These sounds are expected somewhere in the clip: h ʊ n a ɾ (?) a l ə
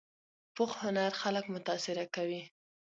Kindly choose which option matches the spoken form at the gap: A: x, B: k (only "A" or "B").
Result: A